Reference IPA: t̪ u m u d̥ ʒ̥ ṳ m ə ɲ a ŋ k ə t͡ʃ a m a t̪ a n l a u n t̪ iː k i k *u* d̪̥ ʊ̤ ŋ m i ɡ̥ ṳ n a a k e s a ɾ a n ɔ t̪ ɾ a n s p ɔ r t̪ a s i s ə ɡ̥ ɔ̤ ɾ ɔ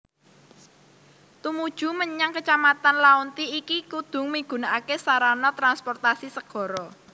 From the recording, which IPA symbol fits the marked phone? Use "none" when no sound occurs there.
u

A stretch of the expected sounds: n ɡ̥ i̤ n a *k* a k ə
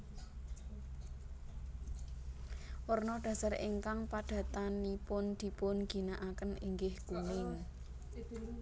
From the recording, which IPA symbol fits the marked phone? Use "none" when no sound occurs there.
ʔ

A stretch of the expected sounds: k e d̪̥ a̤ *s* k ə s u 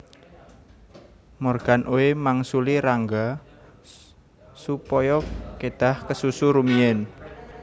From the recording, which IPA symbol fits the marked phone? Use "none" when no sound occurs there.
h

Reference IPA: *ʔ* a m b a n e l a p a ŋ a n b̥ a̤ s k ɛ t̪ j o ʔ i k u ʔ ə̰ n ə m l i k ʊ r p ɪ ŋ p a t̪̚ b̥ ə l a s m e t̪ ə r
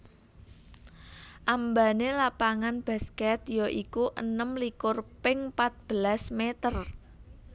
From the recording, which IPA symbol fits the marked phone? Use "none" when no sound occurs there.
ʔ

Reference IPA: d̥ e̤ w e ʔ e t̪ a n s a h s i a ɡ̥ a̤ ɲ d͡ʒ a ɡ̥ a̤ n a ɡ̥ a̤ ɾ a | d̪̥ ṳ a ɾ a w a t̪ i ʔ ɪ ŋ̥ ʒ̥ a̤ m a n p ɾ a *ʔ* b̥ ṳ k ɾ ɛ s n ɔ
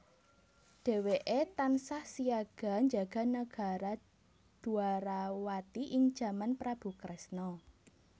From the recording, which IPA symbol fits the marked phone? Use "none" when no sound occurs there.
none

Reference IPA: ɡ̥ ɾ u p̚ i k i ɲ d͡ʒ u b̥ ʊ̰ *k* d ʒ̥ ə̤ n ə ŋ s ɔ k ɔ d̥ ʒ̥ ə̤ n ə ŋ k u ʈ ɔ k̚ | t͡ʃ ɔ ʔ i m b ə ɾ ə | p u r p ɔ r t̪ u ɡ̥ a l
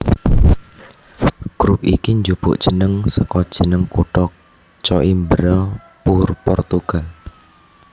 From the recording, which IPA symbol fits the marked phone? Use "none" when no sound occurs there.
ʔ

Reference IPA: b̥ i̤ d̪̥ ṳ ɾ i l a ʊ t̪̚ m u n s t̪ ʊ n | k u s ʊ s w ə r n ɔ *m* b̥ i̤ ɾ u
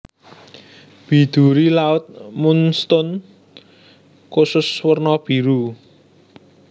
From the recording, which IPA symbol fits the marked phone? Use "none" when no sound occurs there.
none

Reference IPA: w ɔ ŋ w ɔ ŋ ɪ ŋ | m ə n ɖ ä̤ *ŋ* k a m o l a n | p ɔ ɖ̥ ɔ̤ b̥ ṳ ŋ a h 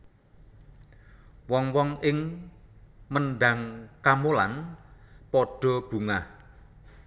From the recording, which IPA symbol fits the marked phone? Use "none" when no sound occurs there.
ŋ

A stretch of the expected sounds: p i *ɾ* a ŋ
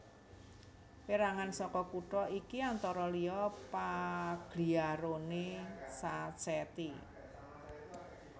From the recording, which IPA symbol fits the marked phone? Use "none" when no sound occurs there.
ɾ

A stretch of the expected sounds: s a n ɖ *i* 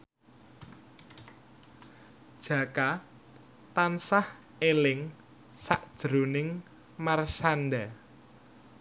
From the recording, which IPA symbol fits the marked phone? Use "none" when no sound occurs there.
a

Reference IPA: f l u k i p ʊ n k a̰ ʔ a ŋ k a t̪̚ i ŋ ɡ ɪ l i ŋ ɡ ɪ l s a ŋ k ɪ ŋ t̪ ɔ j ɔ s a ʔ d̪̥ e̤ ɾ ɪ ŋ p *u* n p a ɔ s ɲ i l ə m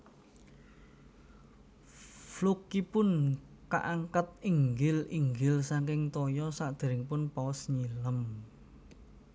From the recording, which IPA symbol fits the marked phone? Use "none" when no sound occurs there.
ʊ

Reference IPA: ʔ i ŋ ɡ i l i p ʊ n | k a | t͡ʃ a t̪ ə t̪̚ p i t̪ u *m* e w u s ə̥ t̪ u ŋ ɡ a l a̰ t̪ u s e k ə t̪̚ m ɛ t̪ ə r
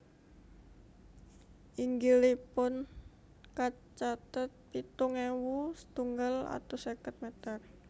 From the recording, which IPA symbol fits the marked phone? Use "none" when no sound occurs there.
ŋ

